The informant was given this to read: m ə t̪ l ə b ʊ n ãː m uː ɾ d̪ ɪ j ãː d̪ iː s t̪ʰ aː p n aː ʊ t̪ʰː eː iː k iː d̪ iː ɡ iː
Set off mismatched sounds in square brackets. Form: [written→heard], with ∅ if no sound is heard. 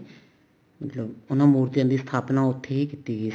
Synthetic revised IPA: m ə t̪ l ə b ʊ n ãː m uː ɾ [d̪→t̪] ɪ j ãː d̪ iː s t̪ʰ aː p n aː ʊ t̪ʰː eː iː k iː [d̪→t̪] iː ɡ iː

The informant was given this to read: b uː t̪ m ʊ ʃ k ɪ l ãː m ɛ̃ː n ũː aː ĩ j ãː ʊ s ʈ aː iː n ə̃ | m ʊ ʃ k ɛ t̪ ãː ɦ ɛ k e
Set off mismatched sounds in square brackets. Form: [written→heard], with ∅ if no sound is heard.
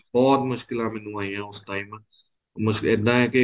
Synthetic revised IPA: b [uː→ɔː] t̪ m ʊ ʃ k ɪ l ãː m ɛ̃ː n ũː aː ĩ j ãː ʊ s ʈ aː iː [n→m] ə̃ | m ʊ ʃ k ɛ [t̪→d̪] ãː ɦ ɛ k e

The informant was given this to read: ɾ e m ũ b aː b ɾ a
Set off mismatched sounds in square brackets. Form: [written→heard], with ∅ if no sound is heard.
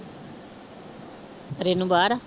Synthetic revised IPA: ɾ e [m→n] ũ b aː [b→∅] ɾ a

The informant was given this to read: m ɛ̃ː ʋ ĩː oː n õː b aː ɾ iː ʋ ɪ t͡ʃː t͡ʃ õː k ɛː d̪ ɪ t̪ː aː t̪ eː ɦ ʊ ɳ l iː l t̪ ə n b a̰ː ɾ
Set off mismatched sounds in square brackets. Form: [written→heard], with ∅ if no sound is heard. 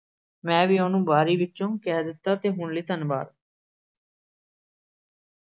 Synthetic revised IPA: m ɛ̃ː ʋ [ĩː→iː] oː n [õː→ũː] b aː ɾ iː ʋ ɪ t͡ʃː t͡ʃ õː k ɛː d̪ ɪ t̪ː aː t̪ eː ɦ ʊ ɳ l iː [l→∅] t̪ ə n b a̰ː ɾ

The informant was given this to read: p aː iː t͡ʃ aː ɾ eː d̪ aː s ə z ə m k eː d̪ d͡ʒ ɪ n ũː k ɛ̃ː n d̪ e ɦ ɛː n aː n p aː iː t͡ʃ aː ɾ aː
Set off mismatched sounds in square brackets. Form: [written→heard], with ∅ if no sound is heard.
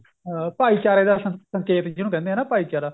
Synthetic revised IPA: p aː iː t͡ʃ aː ɾ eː d̪ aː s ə [z→s] ə [m→ŋ] k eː [d̪→t̪] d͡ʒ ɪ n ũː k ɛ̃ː n d̪ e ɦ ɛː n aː [n→∅] p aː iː t͡ʃ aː ɾ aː

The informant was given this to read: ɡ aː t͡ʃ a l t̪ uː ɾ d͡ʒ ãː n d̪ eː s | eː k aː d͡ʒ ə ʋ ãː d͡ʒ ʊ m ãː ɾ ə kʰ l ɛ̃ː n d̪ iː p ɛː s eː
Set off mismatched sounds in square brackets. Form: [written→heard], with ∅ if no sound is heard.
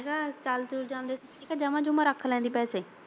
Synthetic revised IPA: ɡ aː t͡ʃ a l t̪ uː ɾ d͡ʒ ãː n d̪ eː s | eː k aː d͡ʒ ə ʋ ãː d͡ʒ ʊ m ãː ɾ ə kʰ l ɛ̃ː n d̪ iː p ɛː s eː

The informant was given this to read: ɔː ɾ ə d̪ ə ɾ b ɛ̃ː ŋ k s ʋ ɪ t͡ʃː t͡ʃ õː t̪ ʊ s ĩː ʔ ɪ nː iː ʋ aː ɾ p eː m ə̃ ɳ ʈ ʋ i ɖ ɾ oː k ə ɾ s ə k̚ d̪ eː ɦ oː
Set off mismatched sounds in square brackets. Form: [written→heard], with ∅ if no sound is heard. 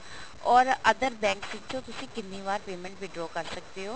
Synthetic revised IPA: ɔː ɾ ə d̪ ə ɾ b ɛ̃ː ŋ k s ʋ ɪ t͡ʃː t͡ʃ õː t̪ ʊ s ĩː [ʔ→k] ɪ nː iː ʋ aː ɾ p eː m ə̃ ɳ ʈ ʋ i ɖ ɾ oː k ə ɾ s ə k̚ d̪ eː ɦ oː

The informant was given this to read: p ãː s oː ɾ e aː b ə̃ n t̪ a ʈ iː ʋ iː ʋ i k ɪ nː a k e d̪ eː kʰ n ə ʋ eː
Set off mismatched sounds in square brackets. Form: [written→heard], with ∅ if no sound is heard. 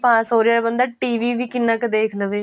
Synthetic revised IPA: p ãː s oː ɾ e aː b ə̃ n [t̪→d̪] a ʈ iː ʋ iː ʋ i k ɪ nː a k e d̪ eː kʰ n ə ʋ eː

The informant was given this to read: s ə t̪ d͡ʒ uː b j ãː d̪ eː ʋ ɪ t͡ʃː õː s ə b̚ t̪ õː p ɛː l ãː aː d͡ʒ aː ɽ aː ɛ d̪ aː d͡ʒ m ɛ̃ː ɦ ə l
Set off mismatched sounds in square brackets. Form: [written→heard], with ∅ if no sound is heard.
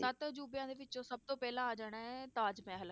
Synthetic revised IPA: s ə t̪ d͡ʒ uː b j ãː d̪ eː ʋ ɪ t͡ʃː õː s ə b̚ t̪ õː p ɛː l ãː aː d͡ʒ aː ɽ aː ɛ [d̪→t̪] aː d͡ʒ m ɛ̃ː ɦ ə l

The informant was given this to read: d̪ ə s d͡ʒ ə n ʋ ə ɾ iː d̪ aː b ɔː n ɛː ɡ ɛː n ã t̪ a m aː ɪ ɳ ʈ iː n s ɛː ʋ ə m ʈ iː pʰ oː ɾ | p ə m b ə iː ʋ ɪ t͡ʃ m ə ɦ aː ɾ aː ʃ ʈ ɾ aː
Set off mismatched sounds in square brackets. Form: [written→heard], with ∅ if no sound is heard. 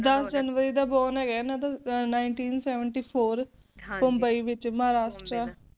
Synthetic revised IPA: d̪ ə s d͡ʒ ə n ʋ ə ɾ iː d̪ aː b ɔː n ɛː ɡ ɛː n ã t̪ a [m→n] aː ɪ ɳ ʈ iː n s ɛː ʋ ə [m→ɳ] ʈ iː pʰ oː ɾ | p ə m b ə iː ʋ ɪ t͡ʃ m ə ɦ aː ɾ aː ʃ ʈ ɾ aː

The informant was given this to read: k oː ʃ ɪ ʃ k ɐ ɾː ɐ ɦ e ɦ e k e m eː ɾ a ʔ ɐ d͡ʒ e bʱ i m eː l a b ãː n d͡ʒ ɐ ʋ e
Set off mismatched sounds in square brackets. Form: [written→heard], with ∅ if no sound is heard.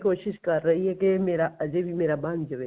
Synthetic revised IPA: k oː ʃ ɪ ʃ k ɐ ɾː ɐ ɦ [e→i] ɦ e k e m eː ɾ a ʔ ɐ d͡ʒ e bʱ i m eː [l→ɾ] a b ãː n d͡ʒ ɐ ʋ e

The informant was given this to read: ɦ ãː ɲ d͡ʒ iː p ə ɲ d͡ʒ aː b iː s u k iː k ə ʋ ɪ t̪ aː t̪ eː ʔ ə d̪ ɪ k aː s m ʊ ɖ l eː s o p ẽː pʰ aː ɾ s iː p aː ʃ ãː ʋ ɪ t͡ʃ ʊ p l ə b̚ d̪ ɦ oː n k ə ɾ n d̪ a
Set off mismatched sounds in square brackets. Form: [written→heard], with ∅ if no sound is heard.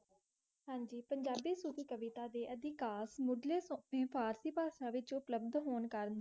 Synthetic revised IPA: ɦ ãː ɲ d͡ʒ iː p ə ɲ d͡ʒ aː b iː s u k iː k ə ʋ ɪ t̪ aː [t̪→d̪] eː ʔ ə d̪ ɪ k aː s m ʊ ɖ l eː s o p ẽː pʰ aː ɾ s iː p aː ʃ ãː ʋ ɪ t͡ʃ ʊ p l ə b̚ d̪ ɦ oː n k ə ɾ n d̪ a

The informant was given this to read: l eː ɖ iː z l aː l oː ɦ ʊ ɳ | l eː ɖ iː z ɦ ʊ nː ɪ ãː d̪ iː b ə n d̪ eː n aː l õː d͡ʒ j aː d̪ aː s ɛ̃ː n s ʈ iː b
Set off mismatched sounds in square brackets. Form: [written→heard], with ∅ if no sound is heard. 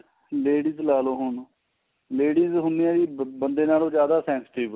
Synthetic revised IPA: l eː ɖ iː z l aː l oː ɦ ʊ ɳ | l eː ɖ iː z ɦ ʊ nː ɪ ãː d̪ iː b ə n d̪ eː n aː l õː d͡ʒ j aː d̪ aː s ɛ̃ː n s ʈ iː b

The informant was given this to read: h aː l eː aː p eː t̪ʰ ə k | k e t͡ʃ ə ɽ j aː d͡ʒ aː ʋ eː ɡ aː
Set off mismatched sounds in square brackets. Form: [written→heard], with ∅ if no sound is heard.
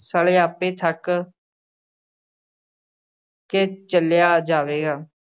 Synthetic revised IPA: [h→s] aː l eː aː p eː t̪ʰ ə k | k e t͡ʃ ə [ɽ→l] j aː d͡ʒ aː ʋ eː ɡ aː

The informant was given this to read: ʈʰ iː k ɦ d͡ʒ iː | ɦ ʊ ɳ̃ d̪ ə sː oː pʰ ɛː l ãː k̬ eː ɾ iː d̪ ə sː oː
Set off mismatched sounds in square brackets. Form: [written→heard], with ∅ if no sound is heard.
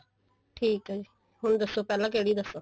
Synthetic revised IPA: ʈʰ iː k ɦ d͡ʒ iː | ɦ ʊ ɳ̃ d̪ ə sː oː [pʰ→p] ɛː l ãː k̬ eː [ɾ→ɽ] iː d̪ ə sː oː

